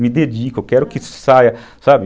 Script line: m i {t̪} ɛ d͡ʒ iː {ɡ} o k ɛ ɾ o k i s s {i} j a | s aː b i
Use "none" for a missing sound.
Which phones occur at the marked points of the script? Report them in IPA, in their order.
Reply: d̪, k, a

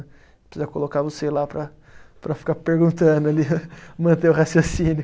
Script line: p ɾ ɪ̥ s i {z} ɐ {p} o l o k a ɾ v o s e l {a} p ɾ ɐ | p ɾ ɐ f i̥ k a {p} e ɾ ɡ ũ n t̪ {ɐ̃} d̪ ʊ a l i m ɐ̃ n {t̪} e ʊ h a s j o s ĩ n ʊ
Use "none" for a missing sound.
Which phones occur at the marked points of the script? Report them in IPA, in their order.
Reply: z, k, a, p, ɐ̃, t̪

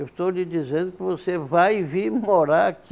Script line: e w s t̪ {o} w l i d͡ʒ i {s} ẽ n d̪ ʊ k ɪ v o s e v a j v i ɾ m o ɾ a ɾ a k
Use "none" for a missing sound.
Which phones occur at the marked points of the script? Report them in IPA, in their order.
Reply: o, z

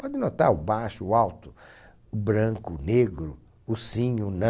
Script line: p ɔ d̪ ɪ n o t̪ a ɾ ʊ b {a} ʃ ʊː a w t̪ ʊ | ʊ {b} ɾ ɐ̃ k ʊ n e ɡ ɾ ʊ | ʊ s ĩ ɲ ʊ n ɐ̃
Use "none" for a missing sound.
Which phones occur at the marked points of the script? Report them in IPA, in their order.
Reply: a, b

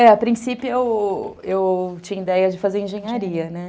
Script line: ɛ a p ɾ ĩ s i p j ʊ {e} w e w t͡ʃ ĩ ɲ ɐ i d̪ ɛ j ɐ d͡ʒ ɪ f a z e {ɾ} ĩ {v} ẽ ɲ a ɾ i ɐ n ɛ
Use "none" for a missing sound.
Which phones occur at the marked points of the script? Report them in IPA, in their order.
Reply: e, ɾ, ʒ

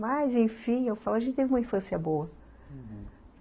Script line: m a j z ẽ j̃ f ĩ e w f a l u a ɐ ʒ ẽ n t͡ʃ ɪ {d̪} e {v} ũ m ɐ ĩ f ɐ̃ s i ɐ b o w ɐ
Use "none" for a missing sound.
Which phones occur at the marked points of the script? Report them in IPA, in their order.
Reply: t̪, v

